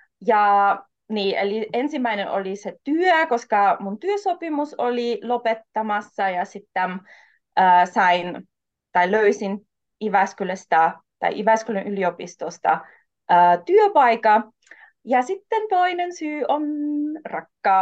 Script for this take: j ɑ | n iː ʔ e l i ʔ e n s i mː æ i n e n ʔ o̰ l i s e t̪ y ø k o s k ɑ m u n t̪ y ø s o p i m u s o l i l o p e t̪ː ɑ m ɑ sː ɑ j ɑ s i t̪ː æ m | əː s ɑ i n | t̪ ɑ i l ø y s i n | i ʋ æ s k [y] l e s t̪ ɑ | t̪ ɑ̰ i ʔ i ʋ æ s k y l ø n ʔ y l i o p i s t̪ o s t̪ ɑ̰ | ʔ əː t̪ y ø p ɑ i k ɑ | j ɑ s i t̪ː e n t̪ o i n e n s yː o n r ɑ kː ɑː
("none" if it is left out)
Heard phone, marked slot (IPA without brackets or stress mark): y